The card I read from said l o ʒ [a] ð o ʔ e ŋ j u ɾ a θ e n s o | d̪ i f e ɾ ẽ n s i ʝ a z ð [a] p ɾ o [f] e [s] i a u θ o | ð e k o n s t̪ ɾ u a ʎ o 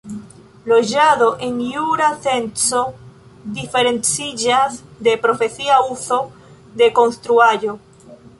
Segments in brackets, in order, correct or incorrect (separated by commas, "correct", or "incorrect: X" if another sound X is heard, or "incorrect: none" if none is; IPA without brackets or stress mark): correct, incorrect: e, correct, incorrect: θ